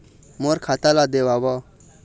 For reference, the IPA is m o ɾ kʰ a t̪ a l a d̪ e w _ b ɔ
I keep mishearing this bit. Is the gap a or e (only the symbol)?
a